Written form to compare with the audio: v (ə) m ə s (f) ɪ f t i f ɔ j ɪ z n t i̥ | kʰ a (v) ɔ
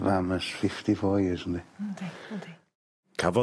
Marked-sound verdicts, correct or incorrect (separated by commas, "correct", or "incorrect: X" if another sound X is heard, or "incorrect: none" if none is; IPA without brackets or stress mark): incorrect: a, correct, correct